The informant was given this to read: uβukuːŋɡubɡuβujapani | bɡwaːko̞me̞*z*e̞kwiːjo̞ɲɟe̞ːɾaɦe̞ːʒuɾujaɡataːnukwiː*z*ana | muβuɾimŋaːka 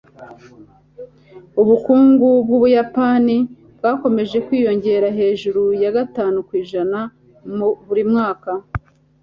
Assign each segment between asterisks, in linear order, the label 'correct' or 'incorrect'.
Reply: incorrect: ʒ, incorrect: ʒ

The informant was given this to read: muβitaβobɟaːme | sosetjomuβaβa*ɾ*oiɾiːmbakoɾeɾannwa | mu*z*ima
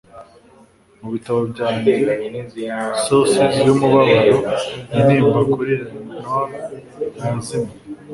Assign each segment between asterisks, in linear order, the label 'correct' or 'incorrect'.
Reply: correct, correct

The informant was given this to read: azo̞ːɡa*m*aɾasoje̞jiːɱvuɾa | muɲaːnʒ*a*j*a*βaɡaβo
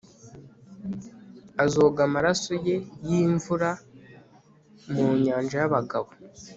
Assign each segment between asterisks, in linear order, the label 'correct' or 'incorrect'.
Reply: correct, correct, correct

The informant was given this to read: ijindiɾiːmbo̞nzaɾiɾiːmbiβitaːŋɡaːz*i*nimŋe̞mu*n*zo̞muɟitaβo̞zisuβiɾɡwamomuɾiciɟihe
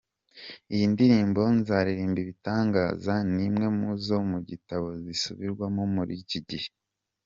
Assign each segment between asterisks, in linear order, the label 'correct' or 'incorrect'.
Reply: incorrect: a, incorrect: none

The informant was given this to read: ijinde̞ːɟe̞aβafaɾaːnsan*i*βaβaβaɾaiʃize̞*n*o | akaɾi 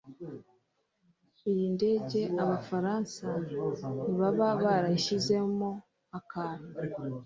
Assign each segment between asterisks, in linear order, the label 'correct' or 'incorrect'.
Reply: correct, incorrect: m

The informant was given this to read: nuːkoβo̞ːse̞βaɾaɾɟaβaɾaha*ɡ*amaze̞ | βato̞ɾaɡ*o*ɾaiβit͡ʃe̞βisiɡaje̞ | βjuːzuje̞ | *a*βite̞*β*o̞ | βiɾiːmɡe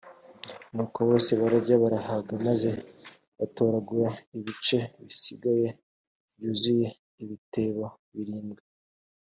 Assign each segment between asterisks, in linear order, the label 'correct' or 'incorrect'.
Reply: correct, incorrect: u, incorrect: i, correct

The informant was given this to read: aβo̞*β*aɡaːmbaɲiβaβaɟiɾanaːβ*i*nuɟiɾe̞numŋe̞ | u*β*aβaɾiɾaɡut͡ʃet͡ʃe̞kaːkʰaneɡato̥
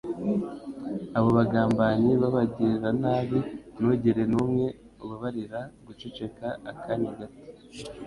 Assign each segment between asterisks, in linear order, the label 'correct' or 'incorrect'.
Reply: correct, correct, correct

